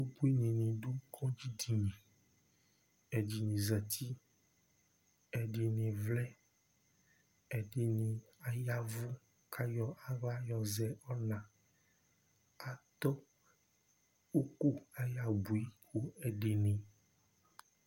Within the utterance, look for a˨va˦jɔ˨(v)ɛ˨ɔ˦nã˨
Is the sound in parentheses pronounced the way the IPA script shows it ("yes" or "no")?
no